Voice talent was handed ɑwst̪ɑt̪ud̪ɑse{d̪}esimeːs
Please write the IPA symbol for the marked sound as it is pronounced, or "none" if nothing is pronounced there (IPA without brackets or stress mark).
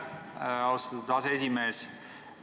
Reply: none